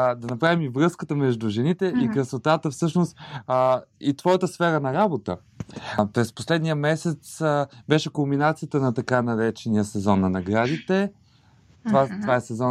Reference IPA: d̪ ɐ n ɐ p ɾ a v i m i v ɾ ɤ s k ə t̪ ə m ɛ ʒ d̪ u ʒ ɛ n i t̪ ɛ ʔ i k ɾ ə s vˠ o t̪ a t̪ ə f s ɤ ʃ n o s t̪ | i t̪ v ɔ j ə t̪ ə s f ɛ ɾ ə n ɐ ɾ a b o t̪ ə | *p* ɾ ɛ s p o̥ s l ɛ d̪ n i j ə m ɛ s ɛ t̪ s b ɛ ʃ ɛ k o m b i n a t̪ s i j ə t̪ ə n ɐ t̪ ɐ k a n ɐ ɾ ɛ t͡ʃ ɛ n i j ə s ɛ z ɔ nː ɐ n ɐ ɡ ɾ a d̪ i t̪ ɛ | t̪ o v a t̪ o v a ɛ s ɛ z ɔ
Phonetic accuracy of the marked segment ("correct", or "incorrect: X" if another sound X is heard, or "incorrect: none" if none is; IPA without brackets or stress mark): correct